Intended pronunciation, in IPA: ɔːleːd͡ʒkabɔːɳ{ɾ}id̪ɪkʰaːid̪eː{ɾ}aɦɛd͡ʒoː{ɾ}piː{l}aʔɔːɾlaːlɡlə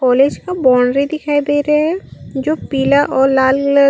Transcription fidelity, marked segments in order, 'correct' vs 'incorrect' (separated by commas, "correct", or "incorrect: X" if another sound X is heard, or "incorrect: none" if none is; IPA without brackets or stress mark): correct, correct, incorrect: none, correct